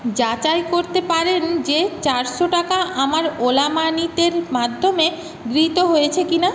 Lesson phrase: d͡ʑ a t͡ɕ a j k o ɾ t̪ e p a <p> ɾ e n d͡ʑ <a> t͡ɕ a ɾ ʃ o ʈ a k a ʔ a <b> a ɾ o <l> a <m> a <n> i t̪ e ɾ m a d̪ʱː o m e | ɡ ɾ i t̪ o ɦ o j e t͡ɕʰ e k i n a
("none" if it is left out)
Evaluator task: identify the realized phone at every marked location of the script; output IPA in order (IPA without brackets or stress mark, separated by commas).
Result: none, e, m, l, m, n